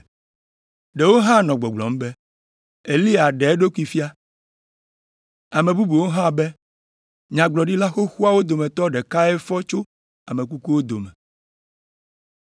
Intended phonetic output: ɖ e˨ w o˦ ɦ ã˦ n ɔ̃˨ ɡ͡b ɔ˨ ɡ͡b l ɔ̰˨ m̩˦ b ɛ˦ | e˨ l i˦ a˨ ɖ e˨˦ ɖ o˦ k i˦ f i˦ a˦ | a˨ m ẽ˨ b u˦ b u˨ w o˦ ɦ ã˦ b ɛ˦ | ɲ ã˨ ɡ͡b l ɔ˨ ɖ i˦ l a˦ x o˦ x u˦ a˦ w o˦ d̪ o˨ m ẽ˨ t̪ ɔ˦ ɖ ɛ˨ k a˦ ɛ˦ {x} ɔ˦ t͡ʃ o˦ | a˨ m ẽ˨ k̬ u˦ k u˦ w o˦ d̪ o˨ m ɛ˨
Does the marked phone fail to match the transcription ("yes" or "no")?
yes